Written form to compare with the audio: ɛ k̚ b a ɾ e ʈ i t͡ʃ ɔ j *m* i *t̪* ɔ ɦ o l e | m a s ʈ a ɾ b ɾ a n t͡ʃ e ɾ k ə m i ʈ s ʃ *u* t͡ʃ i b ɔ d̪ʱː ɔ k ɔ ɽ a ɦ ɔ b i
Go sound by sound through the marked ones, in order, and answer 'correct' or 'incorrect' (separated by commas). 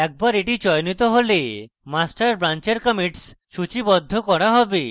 incorrect, correct, correct